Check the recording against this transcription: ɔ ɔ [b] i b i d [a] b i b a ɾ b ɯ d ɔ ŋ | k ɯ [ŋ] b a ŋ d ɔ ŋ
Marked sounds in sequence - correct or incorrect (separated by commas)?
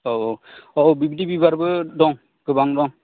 correct, incorrect, incorrect